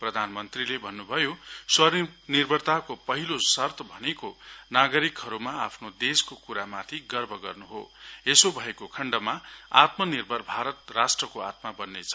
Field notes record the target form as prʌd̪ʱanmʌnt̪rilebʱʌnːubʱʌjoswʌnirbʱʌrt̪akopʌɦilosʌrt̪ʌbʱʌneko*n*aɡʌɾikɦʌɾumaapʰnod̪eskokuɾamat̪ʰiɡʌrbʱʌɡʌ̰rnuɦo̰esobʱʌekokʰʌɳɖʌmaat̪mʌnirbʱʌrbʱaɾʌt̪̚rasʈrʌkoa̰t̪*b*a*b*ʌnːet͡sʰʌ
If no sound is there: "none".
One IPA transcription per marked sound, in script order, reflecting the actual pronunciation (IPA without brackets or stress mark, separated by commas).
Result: n, m, b